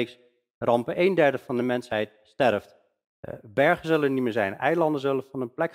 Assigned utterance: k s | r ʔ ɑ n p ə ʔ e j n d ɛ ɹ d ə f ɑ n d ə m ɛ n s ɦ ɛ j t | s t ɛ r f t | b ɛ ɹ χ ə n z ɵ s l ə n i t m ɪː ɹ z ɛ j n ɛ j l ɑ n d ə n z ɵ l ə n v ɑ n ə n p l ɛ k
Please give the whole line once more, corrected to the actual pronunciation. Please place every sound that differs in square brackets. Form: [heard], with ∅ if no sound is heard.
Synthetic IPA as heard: k s | r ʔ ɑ [m] p ə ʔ e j n d ɛ ɹ d ə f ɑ n d ə m ɛ n s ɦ ɛ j t | s t ɛ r f t | b ɛ ɹ χ ə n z ɵ [∅] l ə n i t m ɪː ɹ z ɛ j n ɛ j l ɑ n d ə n z ɵ l ə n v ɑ n ə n p l ɛ k